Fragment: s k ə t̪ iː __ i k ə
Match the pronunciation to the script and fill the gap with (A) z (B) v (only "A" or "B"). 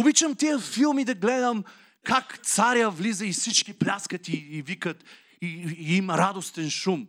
B